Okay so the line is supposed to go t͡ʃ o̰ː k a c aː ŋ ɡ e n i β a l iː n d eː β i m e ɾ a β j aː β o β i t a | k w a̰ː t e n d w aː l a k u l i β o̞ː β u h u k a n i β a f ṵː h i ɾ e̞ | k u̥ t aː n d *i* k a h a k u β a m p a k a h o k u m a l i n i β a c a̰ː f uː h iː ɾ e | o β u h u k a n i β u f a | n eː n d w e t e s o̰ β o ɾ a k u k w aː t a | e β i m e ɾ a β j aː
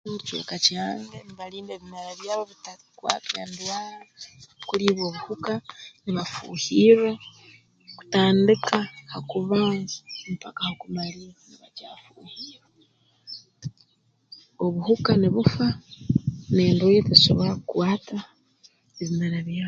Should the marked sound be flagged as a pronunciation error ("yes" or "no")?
no